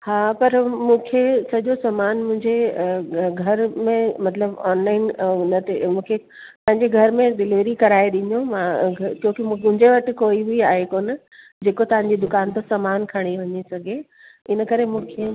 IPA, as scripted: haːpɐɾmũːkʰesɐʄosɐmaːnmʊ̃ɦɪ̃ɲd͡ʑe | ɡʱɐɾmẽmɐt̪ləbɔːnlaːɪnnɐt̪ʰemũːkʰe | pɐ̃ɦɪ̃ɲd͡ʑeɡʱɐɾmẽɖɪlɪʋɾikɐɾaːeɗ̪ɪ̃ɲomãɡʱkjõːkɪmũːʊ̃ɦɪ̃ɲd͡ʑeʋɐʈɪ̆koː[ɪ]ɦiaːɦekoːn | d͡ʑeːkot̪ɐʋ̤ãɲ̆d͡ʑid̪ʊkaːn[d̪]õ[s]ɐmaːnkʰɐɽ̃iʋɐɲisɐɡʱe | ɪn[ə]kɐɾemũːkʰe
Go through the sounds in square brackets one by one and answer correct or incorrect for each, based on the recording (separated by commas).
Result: incorrect, incorrect, correct, correct